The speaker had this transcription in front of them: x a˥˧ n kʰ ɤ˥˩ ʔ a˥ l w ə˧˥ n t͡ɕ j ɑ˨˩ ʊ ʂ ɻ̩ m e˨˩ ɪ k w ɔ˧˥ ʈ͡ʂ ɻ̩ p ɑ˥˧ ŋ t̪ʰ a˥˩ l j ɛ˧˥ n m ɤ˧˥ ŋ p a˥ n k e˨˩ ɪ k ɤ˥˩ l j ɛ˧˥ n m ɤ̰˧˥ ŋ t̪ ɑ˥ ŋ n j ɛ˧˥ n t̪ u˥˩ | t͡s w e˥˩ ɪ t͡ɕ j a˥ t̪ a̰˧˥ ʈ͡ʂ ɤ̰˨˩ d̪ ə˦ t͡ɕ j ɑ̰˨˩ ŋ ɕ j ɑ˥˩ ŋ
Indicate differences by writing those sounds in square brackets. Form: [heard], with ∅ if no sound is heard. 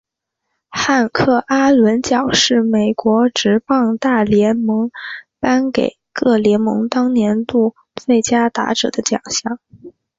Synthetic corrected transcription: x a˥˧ n kʰ ɤ˥˩ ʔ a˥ l w ə˧˥ n t͡ɕ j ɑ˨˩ ʊ ʂ ɻ̩ m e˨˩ ɪ k w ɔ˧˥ ʈ͡ʂ ɻ̩ p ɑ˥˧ ŋ [t̪] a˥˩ l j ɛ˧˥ n m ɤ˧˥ ŋ p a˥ n k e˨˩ ɪ k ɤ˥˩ l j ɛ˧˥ n m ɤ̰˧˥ ŋ t̪ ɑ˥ ŋ n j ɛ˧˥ n t̪ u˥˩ | t͡s w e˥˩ ɪ t͡ɕ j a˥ t̪ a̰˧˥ ʈ͡ʂ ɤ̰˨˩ d̪ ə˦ t͡ɕ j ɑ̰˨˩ ŋ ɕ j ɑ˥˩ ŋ